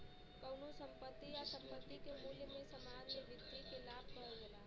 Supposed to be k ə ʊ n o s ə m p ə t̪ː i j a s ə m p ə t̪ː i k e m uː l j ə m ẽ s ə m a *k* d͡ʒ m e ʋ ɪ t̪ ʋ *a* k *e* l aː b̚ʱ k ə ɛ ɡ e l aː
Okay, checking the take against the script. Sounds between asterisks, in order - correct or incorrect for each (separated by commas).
incorrect, incorrect, correct